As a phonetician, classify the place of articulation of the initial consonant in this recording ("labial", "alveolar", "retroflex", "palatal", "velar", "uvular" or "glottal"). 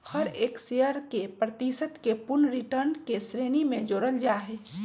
glottal